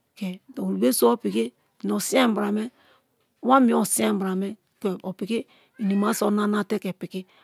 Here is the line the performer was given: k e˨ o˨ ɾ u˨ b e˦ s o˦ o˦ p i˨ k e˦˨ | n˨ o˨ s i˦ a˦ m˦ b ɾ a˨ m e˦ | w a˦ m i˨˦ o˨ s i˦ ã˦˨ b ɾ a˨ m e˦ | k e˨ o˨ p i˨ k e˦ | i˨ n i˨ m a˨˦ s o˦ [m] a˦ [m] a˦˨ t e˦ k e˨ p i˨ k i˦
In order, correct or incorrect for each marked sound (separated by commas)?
incorrect, incorrect